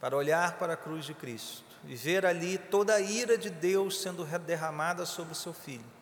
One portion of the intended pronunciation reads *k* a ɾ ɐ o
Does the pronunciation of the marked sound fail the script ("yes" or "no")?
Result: yes